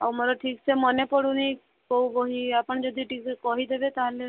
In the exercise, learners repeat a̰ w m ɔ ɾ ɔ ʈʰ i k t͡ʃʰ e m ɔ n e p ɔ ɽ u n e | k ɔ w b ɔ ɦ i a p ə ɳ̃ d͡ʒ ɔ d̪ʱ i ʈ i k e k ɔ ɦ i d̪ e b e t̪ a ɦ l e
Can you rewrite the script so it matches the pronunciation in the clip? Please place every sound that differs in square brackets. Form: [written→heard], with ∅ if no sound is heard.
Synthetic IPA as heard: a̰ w m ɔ ɾ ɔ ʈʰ i k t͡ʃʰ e m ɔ n e p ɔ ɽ u n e | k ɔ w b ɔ ɦ i a p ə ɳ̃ d͡ʒ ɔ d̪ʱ i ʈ i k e k ɔ ɦ i d̪ e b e t̪ a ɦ l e